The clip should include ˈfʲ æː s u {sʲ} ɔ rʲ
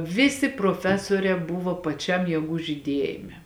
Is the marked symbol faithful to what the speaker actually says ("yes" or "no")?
no